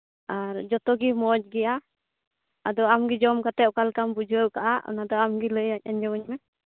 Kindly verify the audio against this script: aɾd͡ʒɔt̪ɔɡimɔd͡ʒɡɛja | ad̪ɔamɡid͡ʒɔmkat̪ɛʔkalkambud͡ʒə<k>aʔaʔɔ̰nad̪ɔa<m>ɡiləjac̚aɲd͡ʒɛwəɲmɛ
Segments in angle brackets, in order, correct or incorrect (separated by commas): correct, correct